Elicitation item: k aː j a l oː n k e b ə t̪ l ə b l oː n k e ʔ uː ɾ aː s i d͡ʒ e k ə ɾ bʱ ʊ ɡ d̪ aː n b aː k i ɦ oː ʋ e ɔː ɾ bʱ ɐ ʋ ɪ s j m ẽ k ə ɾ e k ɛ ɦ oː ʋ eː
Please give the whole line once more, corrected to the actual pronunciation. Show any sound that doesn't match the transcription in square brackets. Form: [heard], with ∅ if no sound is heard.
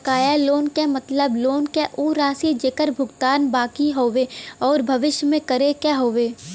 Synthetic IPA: k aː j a l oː n k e [m] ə t̪ l ə b l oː n k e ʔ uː ɾ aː s i d͡ʒ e k ə ɾ bʱ ʊ ɡ [t̪] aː n b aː k i ɦ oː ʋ e ɔː ɾ bʱ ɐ ʋ ɪ [ʃ] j m ẽ k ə ɾ e k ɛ ɦ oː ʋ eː